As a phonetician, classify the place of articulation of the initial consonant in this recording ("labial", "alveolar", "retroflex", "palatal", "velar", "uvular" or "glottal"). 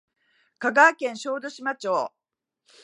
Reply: velar